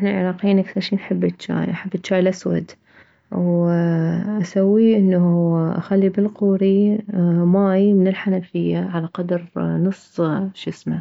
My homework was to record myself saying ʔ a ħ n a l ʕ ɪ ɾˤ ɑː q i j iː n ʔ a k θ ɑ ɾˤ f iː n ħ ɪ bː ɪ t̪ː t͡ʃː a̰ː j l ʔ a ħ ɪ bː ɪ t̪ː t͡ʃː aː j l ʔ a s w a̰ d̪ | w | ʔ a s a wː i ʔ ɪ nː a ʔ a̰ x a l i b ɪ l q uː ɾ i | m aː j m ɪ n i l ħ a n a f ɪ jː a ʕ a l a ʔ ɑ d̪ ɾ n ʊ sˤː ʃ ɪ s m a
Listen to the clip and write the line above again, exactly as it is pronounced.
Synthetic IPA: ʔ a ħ n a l ʕ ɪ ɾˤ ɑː q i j iː n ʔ a k θ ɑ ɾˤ ʃ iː n ħ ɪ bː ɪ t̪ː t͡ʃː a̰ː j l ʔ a ħ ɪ bː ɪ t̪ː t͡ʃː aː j l ʔ a s w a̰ d̪ | w | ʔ a s a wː i ʔ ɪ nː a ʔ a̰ x a lː i b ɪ l q uː ɾ i | m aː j m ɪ n ɪ l ħ a n a f ɪ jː a ʕ a l a q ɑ d̪ ɾ n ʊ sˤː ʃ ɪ s m a